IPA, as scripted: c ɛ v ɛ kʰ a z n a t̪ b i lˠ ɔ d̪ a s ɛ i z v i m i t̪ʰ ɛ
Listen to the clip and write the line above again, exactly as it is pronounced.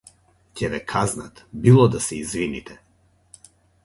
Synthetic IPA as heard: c ɛ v ɛ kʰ a z n a t̪ b i lˠ ɔ d̪ a s ɛ i z v i n i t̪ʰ ɛ